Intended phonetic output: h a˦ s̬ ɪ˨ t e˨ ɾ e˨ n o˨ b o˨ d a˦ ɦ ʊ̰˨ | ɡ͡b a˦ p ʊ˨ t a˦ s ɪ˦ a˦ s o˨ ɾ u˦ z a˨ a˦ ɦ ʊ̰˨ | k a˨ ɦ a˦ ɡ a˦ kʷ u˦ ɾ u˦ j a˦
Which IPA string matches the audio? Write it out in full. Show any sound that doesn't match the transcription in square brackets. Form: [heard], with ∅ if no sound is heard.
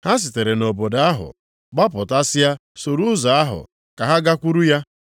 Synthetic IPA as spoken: h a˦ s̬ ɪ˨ t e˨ ɾ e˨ n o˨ b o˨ d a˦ ɦ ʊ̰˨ | ɡ͡b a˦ p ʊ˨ t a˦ s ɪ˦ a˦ s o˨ ɾ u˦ z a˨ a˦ ɦ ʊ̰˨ | k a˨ ɦ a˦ ɡ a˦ kʷ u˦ ɾ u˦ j a˦

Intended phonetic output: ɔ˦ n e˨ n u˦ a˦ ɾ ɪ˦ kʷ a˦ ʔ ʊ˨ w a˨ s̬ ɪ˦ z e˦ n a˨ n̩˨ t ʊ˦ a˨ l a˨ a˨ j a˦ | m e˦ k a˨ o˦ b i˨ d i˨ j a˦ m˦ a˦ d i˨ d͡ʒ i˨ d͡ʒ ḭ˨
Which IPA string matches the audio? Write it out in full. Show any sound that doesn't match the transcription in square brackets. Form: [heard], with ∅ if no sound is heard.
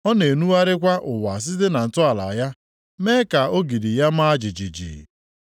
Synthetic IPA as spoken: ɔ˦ n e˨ n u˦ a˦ ɾ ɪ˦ kʷ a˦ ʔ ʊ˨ w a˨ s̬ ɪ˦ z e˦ n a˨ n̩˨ t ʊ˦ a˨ l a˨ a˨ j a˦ | m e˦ k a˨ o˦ [ɡ] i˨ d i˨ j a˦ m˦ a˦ [d͡ʒ] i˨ d͡ʒ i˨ d͡ʒ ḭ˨

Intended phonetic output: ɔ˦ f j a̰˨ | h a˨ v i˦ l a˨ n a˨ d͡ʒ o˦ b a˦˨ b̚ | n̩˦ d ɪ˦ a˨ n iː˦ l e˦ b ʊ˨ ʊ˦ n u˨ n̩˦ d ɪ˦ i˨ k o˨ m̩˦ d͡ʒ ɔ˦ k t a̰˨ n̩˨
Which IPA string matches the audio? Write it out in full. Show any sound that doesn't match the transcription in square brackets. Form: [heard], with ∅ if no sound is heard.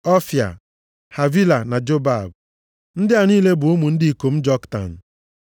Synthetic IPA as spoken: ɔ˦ f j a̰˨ | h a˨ v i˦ l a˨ n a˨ d͡ʒ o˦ b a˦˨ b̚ | n̩˦ d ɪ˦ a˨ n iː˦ l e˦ b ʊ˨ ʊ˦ [m] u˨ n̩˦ d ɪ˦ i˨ k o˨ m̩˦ d͡ʒ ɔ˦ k t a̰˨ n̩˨

